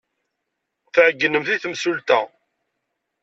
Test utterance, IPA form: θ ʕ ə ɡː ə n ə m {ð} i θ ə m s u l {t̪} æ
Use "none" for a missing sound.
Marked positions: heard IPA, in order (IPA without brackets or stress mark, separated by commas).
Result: θ, t̪